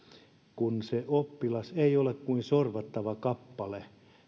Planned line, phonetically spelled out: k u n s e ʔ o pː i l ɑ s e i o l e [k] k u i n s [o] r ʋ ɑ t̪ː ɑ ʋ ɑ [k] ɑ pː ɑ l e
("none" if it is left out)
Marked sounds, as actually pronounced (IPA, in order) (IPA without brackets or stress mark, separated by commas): k, o, k